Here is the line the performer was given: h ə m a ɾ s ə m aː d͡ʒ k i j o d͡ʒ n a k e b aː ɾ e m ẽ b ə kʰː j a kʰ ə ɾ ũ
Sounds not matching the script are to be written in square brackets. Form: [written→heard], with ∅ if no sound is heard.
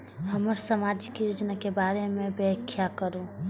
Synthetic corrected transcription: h ə m [a→ə] ɾ s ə m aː d͡ʒ k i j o d͡ʒ n a k e b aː ɾ e m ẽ b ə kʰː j a [kʰ→k] ə ɾ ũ